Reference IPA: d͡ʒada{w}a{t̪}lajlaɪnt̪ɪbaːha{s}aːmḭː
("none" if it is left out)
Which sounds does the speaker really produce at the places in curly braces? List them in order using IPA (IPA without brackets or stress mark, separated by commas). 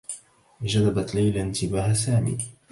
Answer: b, t̪, s